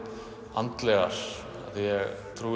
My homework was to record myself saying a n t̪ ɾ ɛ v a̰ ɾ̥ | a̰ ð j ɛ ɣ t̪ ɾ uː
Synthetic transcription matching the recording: a n t̪ l ɛ ɣ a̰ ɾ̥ | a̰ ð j ɛ ɣ t̪ʰ ɾ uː